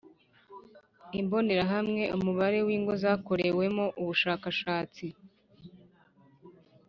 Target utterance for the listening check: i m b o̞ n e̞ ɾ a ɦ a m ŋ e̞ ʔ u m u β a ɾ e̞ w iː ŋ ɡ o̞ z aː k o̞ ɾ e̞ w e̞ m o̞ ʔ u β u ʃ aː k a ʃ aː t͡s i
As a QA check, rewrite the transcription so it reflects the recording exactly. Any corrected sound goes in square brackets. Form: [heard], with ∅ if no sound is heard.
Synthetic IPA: i m b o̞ n e̞ ɾ a ɦ a m ŋ e̞ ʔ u m u β a ɾ e̞ w iː ŋ ɡ o̞ z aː k o̞ ɾ e̞ w e̞ m o̞ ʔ u β u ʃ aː k a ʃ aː t͡s i